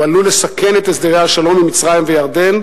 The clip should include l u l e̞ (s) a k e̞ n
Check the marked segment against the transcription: correct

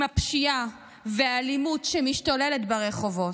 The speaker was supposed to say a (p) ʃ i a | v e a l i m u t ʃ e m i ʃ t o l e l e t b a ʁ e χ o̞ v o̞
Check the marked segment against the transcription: correct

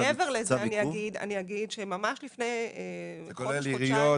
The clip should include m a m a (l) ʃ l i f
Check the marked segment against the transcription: incorrect: none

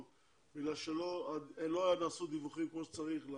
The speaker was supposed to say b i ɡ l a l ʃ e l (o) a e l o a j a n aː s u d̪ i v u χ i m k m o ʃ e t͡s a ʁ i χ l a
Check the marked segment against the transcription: correct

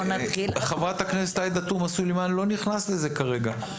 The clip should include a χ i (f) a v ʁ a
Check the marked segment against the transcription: incorrect: χ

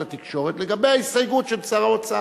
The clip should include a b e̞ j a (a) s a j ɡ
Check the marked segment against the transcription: incorrect: i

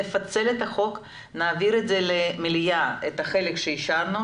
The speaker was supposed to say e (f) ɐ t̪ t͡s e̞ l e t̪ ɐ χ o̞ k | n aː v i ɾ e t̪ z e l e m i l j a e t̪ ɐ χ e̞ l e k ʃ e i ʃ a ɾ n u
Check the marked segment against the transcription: correct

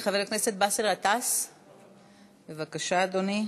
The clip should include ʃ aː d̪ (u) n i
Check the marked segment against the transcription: incorrect: o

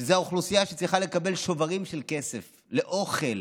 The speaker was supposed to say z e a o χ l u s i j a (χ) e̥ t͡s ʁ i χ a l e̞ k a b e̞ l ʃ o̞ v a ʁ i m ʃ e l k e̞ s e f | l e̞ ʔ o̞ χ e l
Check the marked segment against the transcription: incorrect: ʃ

